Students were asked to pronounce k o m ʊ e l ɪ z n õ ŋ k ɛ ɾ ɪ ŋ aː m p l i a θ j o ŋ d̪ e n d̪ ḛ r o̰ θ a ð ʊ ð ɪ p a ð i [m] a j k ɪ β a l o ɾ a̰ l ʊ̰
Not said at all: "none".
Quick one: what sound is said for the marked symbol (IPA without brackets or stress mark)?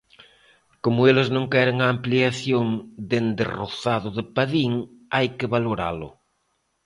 ŋ